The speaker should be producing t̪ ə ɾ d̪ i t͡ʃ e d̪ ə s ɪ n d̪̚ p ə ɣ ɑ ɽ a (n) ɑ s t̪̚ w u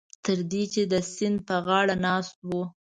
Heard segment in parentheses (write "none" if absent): n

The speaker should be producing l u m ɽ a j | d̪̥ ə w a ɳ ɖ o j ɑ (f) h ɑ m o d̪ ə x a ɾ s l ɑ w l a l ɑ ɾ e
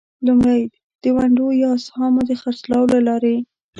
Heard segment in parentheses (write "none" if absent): s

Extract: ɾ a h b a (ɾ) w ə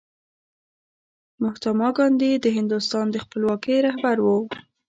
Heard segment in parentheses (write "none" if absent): ɾ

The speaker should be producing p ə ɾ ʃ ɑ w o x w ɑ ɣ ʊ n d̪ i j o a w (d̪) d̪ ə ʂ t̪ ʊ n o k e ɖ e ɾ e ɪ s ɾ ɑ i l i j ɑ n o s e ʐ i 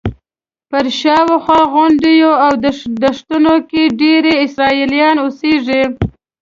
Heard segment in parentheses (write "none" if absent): d̪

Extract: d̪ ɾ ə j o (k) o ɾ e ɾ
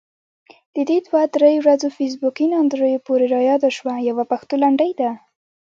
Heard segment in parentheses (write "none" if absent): p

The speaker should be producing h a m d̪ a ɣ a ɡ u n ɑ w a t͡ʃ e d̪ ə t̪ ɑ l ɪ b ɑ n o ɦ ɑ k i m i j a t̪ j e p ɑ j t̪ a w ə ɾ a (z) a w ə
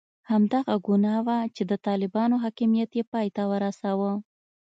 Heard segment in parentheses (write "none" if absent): s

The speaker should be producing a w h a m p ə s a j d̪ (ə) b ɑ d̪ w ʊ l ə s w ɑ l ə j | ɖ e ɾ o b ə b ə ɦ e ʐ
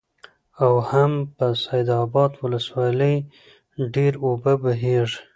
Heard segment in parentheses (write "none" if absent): ɑ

